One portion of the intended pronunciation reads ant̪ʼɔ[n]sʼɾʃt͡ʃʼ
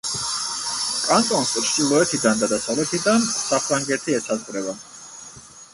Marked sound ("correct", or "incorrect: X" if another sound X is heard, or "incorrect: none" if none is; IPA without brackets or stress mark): correct